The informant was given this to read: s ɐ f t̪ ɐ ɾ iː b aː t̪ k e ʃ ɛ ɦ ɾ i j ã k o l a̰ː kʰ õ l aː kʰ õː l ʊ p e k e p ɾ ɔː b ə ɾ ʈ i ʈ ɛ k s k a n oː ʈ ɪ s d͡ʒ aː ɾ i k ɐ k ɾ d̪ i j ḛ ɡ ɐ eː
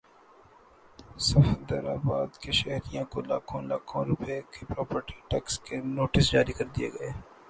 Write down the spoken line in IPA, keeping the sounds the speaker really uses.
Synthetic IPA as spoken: s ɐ f d̪ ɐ ɾ aː b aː d̪ k e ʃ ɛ ɦ ɾ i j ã k o l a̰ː kʰ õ l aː kʰ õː ɾ ʊ p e k e p ɾ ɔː p ə ɾ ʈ i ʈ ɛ k s k e n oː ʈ ɪ s d͡ʒ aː ɾ i k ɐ ɾ d̪ i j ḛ ɡ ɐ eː

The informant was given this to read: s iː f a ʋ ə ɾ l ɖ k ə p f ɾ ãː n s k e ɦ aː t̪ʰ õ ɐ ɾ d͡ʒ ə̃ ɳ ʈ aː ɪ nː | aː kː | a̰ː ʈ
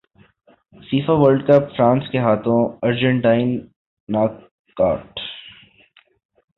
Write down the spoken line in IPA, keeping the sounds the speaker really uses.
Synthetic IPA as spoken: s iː f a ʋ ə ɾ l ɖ k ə p f ɾ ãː n s k e ɦ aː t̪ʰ õ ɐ ɾ d͡ʒ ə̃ ɳ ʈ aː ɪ nː | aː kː | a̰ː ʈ

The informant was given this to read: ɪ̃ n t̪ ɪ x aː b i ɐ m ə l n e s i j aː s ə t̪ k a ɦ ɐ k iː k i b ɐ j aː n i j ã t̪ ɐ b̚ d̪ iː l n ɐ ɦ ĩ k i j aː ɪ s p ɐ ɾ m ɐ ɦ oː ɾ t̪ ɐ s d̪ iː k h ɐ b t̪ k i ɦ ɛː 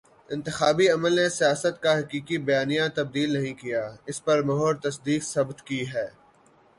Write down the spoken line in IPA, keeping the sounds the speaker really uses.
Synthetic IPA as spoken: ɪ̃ n t̪ ɪ x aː b i ɐ m ə l n e s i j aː s ə t̪ k a ɦ ɐ k iː k i b ɐ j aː n i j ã t̪ ɐ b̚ d̪ iː l n ɐ ɦ ĩ k i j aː ɪ s p ɐ ɾ m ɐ ɦ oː ɾ t̪ ɐ s d̪ iː k s ɐ b t̪ k i ɦ ɛː

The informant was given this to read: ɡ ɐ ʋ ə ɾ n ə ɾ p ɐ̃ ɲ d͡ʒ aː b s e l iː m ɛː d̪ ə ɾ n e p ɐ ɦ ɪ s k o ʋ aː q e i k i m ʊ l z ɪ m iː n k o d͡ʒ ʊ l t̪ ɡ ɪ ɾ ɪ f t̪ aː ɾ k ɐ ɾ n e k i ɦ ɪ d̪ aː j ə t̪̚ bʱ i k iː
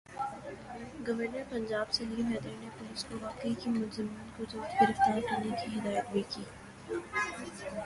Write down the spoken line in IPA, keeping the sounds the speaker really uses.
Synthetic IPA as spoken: ɡ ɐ ʋ ə ɾ n ə ɾ p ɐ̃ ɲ d͡ʒ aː b s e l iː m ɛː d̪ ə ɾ n e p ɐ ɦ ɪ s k o ʋ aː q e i k i m ʊ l z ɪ m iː n k o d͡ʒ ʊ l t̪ ɡ ɪ ɾ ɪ f t̪ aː ɾ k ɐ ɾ n e k i ɦ ɪ d̪ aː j ə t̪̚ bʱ i k iː

